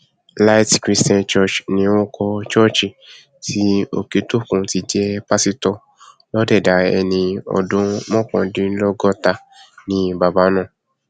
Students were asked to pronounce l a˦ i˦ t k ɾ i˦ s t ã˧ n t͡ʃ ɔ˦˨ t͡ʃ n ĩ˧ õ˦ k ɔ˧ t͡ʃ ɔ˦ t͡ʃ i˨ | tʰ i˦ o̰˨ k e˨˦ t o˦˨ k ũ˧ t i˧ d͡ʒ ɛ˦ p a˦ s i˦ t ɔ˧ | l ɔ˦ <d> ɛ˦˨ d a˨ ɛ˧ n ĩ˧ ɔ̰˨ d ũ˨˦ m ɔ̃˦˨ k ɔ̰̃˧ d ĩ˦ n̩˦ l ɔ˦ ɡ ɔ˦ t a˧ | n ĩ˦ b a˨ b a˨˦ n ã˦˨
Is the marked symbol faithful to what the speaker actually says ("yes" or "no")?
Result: yes